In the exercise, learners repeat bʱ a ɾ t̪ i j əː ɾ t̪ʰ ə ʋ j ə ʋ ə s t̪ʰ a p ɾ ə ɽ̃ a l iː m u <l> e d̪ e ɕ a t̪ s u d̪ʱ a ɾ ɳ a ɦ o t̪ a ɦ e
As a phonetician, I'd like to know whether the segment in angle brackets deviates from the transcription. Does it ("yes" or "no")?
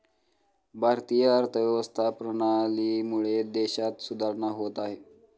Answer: yes